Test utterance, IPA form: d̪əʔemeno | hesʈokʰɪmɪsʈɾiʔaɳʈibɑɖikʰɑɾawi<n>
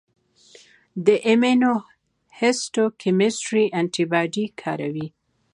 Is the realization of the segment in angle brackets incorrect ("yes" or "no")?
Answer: yes